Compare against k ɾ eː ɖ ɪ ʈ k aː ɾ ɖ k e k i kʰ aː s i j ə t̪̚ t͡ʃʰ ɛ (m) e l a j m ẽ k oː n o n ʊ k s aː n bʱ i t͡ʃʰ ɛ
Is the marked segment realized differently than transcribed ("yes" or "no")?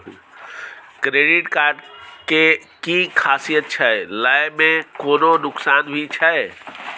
yes